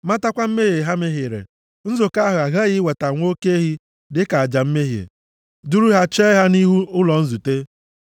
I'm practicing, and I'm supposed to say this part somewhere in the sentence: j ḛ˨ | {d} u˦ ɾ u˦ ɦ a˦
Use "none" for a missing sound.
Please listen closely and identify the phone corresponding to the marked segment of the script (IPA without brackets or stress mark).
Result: d